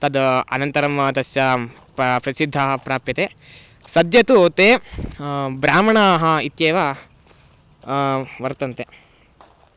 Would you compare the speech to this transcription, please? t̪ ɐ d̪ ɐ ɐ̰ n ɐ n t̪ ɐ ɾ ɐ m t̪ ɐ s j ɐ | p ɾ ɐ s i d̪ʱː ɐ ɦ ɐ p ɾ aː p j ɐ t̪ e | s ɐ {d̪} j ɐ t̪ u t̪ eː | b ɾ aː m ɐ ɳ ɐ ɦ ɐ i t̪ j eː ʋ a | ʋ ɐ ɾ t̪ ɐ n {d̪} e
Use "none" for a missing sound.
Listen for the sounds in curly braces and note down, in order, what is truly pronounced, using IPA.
d̪, t̪

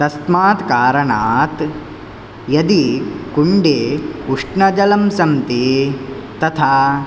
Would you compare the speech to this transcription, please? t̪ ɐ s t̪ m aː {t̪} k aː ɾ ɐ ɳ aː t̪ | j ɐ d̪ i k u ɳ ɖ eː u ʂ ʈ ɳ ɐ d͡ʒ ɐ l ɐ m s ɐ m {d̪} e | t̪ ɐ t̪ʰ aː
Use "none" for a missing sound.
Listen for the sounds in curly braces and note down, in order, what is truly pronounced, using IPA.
t̪, t̪

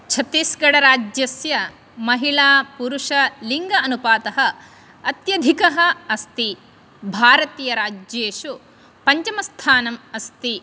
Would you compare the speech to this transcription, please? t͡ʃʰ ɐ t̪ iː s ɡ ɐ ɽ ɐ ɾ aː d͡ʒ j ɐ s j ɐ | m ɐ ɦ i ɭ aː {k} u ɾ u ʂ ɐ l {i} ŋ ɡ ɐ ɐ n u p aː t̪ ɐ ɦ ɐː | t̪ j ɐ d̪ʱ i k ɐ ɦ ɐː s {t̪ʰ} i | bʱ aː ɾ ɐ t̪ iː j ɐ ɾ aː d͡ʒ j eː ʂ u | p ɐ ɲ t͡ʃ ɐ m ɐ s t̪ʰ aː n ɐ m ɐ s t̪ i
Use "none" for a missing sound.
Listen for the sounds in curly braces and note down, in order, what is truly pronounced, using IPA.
p, i, t̪

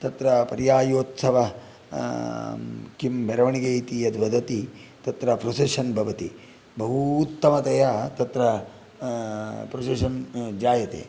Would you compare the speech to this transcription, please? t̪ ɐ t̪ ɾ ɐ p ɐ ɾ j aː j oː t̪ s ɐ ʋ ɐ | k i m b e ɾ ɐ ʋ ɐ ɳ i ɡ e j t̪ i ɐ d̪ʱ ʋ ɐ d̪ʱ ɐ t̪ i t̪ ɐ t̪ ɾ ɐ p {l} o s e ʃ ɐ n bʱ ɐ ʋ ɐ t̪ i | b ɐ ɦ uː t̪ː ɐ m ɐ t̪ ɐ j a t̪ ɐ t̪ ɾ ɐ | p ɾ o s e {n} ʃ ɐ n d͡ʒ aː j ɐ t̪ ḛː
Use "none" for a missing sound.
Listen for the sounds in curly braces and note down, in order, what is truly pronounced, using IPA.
ɾ, none

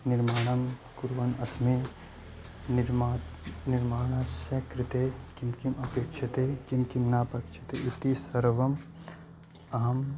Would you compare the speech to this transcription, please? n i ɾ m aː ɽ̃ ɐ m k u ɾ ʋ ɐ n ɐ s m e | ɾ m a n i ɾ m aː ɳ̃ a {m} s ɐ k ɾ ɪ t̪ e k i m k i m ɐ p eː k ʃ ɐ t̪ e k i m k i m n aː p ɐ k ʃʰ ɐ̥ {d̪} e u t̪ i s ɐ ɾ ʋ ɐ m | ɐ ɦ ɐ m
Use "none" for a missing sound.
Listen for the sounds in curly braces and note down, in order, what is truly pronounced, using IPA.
none, t̪

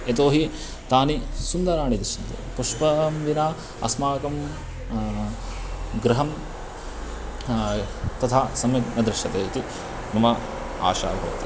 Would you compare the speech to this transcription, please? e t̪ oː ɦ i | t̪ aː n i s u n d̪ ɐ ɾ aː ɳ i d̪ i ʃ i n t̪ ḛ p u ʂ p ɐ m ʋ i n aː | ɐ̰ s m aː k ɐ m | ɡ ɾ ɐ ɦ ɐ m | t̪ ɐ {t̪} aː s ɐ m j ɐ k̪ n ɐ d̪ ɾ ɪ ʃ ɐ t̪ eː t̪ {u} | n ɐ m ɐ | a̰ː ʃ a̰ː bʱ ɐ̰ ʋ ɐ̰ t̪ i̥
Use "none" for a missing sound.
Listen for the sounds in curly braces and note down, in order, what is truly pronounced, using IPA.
t̪ʰ, u

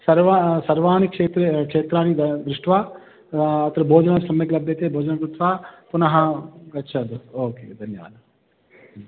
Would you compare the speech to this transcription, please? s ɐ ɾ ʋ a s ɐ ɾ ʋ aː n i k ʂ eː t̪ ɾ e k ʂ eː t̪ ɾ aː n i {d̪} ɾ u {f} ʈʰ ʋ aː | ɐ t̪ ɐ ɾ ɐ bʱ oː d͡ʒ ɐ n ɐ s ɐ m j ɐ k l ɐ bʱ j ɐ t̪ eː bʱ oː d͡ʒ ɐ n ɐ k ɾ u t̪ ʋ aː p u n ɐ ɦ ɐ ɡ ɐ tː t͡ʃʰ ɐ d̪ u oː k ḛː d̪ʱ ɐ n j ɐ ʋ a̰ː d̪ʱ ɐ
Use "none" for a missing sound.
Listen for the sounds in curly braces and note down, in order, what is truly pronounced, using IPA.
d̪, ʂ

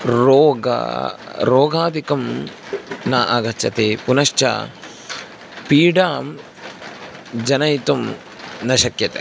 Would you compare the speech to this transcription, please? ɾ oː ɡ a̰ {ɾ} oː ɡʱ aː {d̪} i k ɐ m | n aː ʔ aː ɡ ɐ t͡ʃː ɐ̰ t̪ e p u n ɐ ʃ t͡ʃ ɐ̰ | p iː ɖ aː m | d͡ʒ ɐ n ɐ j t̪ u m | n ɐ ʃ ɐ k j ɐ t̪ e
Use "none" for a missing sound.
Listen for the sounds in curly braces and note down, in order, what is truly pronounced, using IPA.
ɾ, d̪

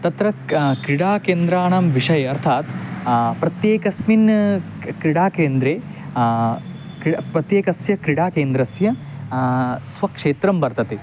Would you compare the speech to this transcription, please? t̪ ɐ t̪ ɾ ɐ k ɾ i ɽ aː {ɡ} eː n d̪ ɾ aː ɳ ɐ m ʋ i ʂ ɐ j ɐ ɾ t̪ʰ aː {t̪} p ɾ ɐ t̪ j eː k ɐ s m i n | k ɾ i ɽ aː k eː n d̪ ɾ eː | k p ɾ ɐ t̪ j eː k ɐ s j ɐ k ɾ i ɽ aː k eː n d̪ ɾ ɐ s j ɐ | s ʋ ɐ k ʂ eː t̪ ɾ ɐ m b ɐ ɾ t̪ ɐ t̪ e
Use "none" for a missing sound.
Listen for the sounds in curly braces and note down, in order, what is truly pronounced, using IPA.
k, t̪

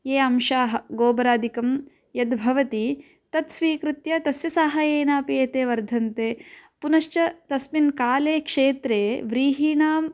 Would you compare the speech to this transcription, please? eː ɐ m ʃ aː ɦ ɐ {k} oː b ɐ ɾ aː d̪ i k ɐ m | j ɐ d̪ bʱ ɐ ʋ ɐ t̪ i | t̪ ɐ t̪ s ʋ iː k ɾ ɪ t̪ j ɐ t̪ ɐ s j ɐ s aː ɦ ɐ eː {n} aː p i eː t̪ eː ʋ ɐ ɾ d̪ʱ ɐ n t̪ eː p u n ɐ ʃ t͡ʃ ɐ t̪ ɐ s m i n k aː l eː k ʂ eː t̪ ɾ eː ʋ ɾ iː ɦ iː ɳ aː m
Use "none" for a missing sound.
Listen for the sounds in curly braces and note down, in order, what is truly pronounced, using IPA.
ɡ, n

